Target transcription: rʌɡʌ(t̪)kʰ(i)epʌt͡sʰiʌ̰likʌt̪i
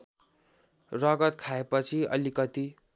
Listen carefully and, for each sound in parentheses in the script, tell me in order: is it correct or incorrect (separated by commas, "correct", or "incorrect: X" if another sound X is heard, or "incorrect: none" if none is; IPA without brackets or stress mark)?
correct, incorrect: a